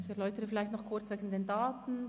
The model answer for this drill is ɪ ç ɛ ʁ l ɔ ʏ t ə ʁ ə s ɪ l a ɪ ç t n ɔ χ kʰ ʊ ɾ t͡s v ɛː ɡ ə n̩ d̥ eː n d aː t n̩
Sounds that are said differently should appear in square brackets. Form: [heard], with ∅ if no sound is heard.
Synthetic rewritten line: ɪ ç ɛ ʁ l ɔ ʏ t ə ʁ ə [f] ɪ l a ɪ ç t n ɔ χ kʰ ʊ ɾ t͡s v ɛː ɡ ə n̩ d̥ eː n d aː t n̩